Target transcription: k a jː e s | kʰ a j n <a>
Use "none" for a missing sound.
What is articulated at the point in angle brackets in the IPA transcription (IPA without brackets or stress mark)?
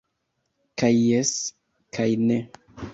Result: e